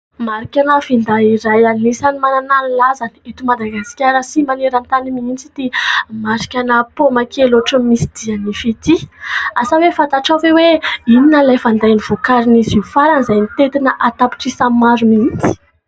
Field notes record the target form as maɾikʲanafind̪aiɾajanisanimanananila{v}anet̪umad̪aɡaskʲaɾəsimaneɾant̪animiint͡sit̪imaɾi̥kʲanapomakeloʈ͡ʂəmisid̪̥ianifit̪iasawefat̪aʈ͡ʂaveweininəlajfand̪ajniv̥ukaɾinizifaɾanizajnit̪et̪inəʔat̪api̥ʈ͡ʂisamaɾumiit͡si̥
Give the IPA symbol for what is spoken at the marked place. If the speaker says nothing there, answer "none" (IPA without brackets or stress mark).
z